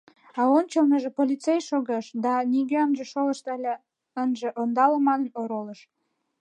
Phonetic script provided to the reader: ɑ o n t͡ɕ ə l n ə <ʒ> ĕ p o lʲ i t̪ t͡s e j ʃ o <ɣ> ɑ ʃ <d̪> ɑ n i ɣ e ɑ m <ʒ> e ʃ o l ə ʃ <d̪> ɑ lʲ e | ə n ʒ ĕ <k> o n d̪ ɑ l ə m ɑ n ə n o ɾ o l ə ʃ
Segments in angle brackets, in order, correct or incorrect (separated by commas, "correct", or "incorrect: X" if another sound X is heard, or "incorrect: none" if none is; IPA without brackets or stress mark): correct, correct, correct, correct, incorrect: t̪, incorrect: ʔ